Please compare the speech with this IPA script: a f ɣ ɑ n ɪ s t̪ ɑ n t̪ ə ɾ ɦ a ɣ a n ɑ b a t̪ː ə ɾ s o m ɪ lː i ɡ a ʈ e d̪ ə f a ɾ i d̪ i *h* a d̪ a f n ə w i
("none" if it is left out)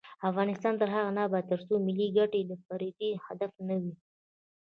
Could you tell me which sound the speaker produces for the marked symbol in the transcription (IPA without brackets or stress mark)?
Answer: h